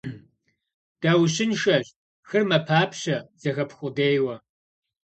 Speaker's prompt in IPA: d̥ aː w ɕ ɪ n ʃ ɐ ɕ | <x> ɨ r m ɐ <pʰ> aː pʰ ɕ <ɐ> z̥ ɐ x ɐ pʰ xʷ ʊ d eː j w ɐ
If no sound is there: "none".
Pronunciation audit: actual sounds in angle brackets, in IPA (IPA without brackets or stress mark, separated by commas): x, pʰ, ɐ